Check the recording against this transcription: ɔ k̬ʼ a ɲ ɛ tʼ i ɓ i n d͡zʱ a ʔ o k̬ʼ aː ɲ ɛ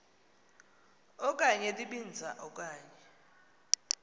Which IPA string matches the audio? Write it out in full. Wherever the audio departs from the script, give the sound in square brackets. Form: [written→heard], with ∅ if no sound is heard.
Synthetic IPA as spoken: ɔ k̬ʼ a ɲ ɛ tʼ i ɓ i n d͡zʱ a ʔ [o→ɔ] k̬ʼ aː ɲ ɛ